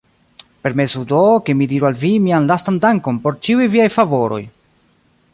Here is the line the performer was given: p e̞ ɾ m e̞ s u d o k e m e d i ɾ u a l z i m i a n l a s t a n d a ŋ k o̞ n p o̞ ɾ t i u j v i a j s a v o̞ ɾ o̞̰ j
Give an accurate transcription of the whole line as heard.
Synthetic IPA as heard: p e̞ ɾ m e̞ s u d o k e m i d i ɾ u a l v i m i a n l a s t a n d a ŋ k o̞ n p o̞ ɾ t͡ʃ i u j v i a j f a v o̞ ɾ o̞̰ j